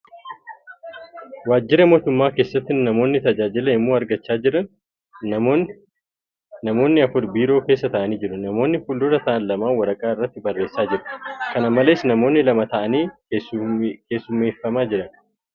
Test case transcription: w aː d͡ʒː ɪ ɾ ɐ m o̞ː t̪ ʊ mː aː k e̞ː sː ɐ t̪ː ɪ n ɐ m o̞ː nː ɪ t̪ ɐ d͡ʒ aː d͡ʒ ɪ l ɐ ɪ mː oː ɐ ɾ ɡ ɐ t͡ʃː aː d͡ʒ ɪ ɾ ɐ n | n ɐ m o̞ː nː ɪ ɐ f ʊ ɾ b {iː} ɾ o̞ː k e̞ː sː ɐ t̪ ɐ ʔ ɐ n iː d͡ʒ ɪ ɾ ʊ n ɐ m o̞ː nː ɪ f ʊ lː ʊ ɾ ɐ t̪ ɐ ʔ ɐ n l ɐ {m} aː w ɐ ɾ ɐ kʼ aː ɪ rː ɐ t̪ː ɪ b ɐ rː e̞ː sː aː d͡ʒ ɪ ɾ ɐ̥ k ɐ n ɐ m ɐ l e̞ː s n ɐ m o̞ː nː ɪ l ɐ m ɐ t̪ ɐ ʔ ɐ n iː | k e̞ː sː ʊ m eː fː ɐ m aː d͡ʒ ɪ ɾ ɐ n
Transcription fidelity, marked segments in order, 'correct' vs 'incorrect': correct, correct

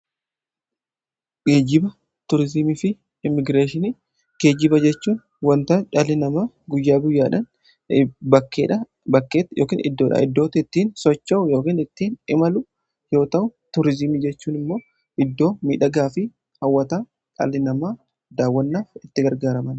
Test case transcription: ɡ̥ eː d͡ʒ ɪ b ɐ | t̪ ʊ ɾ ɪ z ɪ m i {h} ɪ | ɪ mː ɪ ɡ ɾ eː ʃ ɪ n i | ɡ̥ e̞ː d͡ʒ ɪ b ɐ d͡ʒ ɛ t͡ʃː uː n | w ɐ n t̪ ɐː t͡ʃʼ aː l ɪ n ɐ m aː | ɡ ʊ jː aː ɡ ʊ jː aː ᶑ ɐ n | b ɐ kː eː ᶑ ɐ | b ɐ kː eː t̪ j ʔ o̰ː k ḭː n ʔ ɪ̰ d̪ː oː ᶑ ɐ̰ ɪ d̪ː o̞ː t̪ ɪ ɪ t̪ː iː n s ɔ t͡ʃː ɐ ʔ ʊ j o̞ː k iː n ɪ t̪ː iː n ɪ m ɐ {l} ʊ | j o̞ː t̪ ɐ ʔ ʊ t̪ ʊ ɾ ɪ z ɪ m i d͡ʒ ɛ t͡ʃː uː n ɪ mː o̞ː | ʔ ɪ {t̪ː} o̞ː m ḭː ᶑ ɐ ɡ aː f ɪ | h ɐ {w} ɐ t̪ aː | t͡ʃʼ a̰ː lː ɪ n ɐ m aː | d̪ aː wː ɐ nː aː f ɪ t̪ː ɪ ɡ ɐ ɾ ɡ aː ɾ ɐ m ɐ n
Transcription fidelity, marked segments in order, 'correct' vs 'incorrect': incorrect: f, correct, incorrect: d̪ː, incorrect: wː

